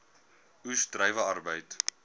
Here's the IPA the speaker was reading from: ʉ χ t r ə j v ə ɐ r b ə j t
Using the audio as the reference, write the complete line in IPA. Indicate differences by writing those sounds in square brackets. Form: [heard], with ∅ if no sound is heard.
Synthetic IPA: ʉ [s] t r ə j v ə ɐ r b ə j t